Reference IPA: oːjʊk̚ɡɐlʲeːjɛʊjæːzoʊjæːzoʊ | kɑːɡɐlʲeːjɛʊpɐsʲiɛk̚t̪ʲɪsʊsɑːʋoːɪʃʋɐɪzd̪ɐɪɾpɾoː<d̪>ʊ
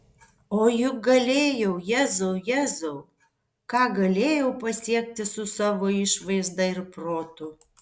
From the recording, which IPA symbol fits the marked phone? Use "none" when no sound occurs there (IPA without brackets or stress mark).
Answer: t̪